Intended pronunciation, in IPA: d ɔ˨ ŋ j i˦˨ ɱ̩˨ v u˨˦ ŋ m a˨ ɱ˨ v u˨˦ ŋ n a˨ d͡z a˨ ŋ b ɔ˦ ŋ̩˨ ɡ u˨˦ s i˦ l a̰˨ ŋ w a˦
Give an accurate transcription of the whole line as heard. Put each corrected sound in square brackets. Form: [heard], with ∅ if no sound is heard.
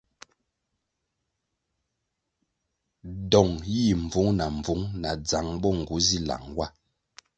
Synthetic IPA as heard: d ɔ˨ ŋ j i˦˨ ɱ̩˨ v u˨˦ ŋ [n] a˨ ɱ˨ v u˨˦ ŋ n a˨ d͡z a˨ ŋ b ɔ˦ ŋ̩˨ ɡ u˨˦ [z] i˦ l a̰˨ ŋ w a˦